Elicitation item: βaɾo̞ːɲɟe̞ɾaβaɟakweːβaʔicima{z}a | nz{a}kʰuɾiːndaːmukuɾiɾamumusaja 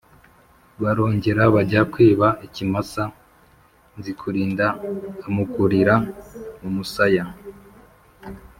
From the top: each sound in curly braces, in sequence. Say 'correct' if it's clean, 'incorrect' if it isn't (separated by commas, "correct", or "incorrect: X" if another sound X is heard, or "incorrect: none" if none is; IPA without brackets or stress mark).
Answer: incorrect: s, incorrect: i